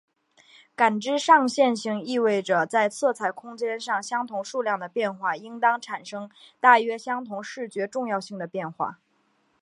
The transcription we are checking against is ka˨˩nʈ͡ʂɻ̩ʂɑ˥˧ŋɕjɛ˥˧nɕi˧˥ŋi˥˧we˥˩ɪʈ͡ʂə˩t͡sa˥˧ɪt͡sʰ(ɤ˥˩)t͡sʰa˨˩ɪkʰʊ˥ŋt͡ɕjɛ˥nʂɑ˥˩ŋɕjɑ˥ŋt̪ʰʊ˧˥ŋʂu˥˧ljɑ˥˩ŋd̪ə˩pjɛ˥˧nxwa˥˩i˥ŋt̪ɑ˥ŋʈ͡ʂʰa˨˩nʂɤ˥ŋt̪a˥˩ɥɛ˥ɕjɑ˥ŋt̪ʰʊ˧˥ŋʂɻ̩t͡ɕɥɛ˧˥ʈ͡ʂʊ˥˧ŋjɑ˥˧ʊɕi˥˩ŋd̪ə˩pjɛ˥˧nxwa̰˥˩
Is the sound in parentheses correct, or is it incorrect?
correct